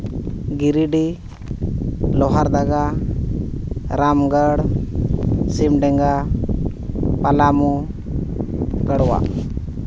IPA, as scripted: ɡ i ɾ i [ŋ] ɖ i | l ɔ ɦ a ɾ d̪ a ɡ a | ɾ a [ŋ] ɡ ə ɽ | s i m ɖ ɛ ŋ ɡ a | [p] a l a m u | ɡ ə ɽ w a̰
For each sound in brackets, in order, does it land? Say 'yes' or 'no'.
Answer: no, no, yes

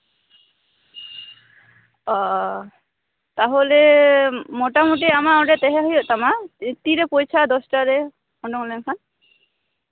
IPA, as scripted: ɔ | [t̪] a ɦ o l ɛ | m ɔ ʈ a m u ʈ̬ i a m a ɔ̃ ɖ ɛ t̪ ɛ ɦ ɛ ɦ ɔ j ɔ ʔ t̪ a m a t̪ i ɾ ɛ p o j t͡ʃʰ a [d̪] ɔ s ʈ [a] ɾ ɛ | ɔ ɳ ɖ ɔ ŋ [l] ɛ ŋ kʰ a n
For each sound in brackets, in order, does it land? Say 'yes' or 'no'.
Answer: yes, yes, yes, yes

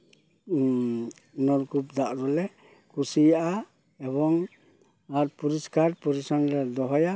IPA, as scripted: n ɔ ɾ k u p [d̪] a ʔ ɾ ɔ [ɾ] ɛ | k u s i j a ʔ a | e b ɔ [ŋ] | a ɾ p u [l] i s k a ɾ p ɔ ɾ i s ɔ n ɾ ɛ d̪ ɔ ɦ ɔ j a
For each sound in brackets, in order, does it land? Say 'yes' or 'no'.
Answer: yes, no, yes, no

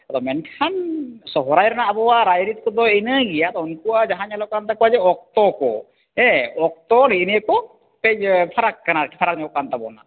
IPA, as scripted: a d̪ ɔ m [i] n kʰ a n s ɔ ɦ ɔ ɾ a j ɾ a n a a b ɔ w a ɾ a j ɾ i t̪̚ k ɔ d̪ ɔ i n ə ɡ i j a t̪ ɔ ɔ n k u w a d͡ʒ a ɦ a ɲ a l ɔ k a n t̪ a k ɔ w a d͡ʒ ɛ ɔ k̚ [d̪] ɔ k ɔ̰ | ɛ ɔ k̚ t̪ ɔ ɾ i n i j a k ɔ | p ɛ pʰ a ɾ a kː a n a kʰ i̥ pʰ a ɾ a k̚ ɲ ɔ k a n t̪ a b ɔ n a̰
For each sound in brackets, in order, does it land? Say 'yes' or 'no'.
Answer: no, no

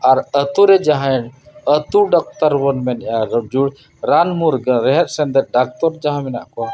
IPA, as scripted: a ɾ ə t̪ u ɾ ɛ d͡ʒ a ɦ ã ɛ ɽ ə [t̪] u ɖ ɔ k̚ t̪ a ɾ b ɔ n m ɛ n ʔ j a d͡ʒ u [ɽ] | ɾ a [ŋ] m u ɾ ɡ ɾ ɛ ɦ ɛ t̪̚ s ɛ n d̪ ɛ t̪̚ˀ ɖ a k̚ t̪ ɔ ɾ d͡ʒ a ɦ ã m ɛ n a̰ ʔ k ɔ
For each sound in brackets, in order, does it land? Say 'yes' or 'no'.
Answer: yes, yes, no

